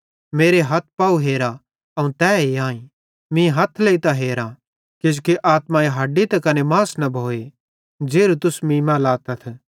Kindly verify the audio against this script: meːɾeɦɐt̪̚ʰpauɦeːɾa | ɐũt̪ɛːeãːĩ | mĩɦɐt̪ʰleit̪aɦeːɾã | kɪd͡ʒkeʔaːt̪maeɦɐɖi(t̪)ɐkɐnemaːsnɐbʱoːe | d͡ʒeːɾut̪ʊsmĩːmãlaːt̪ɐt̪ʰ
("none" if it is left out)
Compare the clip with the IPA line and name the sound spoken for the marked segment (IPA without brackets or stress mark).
t̪